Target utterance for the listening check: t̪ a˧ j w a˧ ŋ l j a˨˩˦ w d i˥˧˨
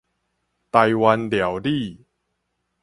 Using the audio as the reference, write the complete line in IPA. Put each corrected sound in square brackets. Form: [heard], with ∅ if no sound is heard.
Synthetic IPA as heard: t̪ a˧ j w a˧ [n] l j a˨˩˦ w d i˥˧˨